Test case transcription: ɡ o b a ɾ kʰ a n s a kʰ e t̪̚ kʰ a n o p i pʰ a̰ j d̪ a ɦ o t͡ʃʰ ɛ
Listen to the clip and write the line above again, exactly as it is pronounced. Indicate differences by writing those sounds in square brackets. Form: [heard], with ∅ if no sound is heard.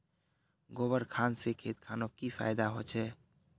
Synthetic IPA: ɡ o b [ə] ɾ kʰ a n s [e] kʰ e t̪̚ kʰ a n o [k] i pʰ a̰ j d̪ a ɦ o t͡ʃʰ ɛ